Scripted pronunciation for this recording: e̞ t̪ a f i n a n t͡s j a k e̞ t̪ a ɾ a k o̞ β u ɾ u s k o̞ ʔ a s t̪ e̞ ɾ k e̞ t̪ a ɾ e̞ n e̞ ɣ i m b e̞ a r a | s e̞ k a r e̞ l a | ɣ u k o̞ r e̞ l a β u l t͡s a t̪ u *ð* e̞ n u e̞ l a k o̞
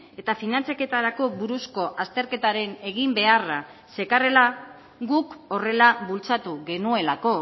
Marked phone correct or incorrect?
incorrect